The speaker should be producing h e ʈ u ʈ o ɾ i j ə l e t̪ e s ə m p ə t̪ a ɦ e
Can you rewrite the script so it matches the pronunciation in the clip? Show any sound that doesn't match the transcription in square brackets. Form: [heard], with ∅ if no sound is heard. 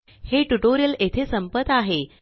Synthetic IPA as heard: h e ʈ u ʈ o ɾ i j ə l e [t̪ʰ] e s ə m p ə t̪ a ɦ e